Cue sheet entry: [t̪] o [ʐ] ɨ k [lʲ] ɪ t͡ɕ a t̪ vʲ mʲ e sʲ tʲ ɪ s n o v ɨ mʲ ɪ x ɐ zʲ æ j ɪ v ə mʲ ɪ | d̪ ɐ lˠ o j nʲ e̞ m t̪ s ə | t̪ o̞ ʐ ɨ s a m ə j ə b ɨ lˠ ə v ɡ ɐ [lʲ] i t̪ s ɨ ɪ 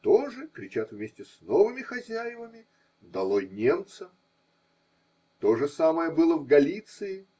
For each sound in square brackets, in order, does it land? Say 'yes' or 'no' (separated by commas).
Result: yes, yes, no, yes